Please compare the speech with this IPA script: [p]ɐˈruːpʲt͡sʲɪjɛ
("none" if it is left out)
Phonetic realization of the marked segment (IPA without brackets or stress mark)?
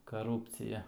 k